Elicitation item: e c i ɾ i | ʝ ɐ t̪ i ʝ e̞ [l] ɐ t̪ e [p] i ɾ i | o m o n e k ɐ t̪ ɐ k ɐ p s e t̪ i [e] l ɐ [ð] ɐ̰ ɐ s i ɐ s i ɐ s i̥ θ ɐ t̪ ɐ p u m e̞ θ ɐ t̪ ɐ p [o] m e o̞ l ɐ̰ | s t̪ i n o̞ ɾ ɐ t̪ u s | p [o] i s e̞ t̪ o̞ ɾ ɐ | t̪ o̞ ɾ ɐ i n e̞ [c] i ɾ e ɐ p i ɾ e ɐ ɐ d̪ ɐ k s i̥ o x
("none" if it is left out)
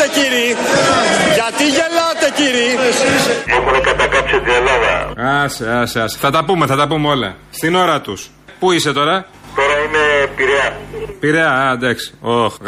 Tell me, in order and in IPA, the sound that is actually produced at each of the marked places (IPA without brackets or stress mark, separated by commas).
l, c, e, ð, u, u, p